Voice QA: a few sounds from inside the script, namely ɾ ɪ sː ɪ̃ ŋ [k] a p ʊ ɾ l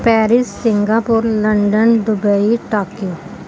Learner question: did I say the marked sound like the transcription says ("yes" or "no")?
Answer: no